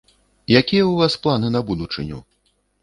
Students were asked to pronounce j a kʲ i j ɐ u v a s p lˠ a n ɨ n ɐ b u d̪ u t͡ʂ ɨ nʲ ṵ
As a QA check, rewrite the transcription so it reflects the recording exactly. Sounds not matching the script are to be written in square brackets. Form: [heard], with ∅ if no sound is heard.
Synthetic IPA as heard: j a kʲ i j ɐ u v a s p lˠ a n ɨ n ɐ b u d̪ u t͡ʂ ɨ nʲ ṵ